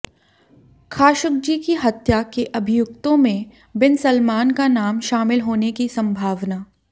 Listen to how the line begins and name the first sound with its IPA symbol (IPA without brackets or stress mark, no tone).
kʰ